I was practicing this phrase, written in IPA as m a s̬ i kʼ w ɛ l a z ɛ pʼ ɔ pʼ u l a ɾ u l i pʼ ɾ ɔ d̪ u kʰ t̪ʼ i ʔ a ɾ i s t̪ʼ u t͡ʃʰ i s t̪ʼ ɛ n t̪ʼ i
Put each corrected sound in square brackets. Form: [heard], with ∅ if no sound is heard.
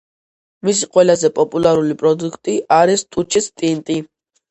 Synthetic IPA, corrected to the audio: m [i] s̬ i [qʼ] w ɛ l a z ɛ pʼ ɔ pʼ u l a ɾ u l i pʼ ɾ ɔ d̪ u kʰ t̪ʼ i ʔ a ɾ i s t̪ʼ u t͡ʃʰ i s t̪ʼ [i] n t̪ʼ i